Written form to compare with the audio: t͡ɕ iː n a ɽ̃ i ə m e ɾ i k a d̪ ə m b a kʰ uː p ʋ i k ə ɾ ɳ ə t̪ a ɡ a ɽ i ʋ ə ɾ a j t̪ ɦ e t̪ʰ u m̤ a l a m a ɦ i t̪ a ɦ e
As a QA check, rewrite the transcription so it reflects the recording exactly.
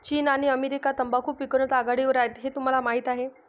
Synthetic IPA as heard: t͡ɕ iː n a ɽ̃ i ə m e ɾ i k a t̪ ə m b a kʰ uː p ʋ i k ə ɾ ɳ ə t̪ a ɡ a ɽ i ʋ ə ɾ a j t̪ ɦ e t̪ u m̤ a l a m a ɦ i t̪ a ɦ e